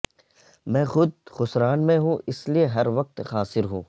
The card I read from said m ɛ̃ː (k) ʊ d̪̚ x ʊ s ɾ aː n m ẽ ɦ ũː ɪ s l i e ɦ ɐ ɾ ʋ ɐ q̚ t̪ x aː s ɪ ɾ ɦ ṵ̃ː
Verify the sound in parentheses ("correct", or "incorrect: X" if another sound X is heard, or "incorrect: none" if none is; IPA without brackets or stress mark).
incorrect: x